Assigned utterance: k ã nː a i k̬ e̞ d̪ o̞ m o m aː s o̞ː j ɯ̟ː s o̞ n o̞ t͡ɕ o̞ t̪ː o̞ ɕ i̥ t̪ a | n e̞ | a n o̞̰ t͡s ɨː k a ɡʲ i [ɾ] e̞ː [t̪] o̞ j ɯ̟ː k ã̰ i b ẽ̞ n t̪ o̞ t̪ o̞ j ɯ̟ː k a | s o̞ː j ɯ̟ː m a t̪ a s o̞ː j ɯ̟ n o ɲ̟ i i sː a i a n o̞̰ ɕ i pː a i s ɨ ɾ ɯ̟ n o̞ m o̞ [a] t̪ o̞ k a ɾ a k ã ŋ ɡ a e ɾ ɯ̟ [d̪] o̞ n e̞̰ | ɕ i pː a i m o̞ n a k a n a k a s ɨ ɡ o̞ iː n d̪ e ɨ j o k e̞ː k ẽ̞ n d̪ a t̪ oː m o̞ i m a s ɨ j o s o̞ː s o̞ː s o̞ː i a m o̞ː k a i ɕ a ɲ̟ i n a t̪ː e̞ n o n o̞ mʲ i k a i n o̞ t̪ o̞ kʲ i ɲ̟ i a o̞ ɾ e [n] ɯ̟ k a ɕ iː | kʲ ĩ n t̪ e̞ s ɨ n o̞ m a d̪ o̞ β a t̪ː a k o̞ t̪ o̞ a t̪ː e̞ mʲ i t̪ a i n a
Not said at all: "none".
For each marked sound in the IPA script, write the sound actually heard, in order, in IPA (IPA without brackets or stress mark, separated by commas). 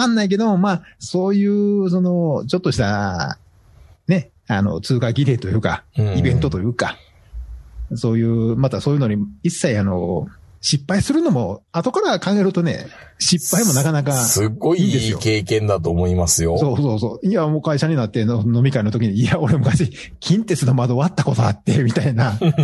ɾ, t̪, a, t̪, m